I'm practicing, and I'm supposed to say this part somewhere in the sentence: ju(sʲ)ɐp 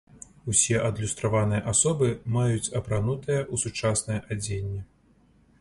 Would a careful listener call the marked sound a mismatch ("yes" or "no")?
yes